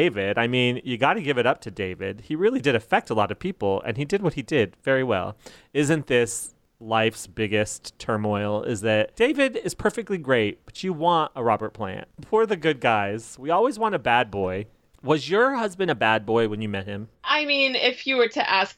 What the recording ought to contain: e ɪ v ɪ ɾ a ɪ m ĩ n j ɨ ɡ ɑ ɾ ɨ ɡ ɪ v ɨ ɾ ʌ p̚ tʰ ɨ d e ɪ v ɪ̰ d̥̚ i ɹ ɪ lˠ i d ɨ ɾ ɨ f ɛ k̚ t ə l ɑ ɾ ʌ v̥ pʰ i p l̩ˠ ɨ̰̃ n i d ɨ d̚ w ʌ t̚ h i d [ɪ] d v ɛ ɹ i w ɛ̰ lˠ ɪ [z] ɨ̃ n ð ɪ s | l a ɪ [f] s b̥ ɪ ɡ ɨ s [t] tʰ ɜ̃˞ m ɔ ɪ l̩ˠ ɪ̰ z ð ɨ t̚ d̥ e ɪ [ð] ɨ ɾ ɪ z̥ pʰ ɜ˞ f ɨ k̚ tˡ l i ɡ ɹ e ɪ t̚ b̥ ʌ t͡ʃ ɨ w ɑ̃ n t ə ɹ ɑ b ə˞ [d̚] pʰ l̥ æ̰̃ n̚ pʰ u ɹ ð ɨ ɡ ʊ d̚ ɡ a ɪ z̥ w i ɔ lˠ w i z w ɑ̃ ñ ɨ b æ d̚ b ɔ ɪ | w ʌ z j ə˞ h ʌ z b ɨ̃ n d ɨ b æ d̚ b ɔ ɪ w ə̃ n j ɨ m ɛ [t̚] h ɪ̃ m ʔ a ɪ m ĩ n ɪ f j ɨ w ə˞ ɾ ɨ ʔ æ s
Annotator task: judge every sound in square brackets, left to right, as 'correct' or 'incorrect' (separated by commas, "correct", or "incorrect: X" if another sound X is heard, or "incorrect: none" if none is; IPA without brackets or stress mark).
correct, correct, correct, correct, incorrect: v, incorrect: t̚, correct